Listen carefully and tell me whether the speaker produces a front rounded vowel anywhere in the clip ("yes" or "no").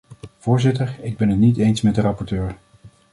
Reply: yes